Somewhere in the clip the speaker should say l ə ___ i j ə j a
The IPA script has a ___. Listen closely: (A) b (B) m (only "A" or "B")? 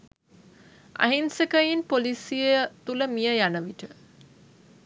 B